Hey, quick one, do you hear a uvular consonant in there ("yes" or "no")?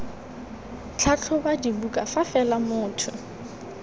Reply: no